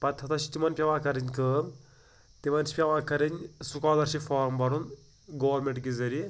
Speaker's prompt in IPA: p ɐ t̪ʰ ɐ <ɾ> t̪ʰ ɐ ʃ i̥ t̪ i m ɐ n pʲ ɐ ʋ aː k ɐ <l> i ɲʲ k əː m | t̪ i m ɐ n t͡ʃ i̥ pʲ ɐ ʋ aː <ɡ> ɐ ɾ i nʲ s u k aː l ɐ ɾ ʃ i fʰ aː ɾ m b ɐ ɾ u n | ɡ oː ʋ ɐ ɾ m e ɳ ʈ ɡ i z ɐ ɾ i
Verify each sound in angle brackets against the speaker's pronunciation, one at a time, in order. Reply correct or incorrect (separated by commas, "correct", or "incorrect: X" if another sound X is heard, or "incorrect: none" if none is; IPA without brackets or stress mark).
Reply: incorrect: none, incorrect: ɾ, incorrect: k